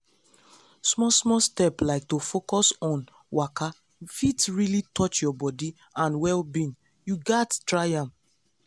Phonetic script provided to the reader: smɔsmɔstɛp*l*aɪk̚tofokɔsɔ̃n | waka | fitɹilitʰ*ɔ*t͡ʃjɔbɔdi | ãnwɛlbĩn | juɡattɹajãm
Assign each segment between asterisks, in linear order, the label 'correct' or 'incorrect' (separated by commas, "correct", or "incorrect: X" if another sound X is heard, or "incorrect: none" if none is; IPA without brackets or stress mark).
correct, correct